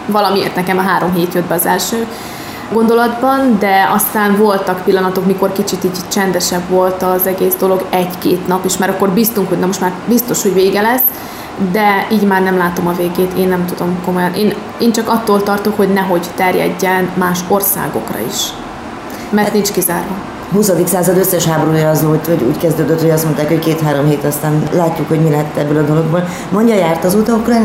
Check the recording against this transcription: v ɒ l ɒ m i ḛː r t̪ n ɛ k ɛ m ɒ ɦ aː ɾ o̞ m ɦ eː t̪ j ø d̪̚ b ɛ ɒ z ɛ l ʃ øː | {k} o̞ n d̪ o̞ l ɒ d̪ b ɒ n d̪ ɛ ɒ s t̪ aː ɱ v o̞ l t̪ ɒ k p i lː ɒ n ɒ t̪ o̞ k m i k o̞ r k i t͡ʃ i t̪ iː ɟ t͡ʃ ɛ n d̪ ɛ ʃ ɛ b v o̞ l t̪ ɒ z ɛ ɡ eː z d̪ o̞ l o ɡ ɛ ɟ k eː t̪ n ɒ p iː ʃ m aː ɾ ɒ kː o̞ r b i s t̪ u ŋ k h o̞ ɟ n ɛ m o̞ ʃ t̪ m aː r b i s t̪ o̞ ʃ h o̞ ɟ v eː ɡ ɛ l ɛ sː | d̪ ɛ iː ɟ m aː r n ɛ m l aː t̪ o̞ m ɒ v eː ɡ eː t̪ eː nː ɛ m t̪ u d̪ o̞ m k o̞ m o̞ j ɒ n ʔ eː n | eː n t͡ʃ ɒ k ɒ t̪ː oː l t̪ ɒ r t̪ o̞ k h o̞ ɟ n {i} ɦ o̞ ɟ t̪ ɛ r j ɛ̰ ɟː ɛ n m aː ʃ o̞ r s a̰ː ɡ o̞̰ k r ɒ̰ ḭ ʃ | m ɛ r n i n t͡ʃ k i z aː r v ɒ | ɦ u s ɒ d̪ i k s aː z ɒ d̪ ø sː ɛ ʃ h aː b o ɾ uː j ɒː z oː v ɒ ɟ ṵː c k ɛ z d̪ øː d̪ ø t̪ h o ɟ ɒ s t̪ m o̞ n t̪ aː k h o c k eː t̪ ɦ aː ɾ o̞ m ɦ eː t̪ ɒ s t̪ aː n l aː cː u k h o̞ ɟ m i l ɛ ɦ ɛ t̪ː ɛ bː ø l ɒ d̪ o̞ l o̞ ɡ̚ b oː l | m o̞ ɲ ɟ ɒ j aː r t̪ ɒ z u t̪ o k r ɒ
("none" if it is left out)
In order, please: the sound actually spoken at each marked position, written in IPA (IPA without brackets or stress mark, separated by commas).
ɡ, ɛ